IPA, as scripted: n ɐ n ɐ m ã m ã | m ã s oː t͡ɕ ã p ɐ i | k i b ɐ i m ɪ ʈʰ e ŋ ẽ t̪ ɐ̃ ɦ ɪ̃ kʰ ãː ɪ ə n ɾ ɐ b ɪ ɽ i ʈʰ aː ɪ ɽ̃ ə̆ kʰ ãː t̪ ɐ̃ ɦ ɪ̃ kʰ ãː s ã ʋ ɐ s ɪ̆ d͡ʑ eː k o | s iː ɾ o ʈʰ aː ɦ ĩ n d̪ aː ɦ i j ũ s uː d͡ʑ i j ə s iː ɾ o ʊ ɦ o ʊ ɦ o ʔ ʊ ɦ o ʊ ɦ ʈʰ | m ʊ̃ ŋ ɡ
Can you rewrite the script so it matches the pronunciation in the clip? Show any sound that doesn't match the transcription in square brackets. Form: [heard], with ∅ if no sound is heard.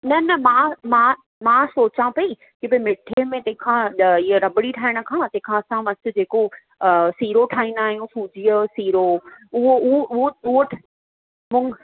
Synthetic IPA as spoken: n ɐ n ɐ m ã m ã | m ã s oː t͡ɕ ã p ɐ i | k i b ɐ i m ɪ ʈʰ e [m] ẽ t̪ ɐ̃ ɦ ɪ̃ kʰ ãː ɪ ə [∅] ɾ ɐ b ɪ ɽ i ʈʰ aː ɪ ɽ̃ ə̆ kʰ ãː t̪ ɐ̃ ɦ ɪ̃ kʰ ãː s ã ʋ ɐ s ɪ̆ d͡ʑ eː k o | s iː ɾ o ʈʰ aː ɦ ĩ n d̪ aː ɦ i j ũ s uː d͡ʑ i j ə s iː ɾ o ʊ ɦ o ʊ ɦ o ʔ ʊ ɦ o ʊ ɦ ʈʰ | m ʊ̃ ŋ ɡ